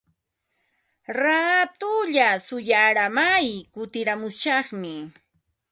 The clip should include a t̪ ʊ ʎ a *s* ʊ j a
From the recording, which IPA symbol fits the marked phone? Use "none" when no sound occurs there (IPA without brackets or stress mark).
s